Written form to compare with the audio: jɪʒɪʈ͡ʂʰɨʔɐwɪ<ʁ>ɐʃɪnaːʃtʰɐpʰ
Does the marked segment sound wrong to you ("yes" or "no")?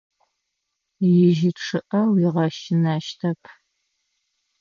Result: no